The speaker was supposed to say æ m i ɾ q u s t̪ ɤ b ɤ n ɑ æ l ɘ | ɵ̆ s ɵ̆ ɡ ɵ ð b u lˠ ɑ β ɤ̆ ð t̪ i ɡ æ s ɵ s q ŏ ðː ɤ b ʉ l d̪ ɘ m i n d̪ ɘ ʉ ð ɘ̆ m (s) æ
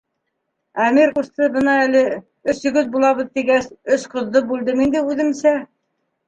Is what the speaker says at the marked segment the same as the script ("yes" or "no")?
yes